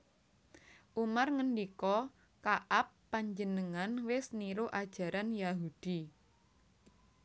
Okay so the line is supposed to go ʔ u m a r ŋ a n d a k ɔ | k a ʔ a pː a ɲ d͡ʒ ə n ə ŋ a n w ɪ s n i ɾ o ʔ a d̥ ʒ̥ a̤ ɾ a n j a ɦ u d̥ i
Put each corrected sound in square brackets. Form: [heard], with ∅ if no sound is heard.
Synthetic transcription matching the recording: ʔ u m a r ŋ [ə] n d [i] k ɔ | k a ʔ a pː a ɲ d͡ʒ ə n ə ŋ a n w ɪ s n i ɾ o ʔ a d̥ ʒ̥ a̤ ɾ a n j a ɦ u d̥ i